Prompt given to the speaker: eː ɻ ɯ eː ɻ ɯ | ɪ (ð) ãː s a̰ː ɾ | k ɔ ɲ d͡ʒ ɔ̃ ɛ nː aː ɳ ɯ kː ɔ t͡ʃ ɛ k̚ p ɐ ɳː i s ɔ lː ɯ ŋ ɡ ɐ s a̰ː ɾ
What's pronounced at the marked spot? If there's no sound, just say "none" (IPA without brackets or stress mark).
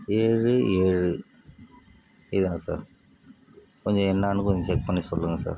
ð